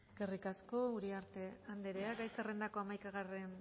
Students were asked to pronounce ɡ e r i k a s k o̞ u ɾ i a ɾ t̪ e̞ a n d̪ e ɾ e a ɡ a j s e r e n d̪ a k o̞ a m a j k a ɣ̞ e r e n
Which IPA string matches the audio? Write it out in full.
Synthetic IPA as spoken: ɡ e r i k a s k o̞ u ɾ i a ɾ t̪ e̞ a n d̪ e ɾ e a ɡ a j s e r e n d̪ a k o̞ a m a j k a ɣ̞ a r e n